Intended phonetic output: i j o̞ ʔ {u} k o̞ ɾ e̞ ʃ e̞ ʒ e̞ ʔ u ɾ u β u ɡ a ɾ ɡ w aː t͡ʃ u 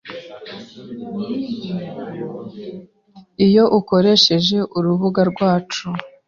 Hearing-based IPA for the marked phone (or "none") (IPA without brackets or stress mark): u